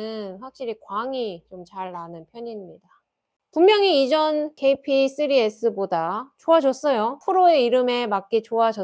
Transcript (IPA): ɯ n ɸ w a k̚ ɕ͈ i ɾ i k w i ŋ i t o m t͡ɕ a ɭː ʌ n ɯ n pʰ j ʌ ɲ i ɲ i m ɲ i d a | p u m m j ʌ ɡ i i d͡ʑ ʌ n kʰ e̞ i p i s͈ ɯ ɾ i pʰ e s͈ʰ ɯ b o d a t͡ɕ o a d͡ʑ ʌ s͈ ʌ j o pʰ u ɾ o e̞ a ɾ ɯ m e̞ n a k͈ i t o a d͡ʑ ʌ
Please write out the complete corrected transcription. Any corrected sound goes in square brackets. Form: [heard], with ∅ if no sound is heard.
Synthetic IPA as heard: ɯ n ɸ w a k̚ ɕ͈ i ɾ i k w [a] ŋ i [t͡ɕ] o m t͡ɕ a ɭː [a] n ɯ n pʰ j ʌ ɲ i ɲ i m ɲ i d a | p u m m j ʌ [ŋ] i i d͡ʑ ʌ n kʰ e̞ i [pʰ] i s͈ ɯ ɾ i [∅] e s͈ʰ ɯ b o d a t͡ɕ o a d͡ʑ ʌ s͈ ʌ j o pʰ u ɾ o e̞ [i] ɾ ɯ m e̞ [m] a k͈ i [t͡ɕ] o a d͡ʑ ʌ